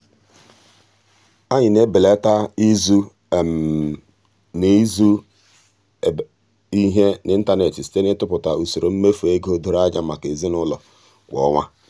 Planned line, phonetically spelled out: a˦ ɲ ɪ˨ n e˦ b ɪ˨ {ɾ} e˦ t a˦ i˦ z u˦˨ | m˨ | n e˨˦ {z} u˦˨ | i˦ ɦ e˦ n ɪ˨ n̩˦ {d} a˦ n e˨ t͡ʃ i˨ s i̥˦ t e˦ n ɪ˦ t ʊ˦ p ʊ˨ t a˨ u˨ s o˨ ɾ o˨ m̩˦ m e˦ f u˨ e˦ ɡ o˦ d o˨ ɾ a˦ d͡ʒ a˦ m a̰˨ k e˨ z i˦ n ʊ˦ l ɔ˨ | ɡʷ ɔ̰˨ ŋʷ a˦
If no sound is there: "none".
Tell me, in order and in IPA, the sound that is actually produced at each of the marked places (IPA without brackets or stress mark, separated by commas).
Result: l, z, t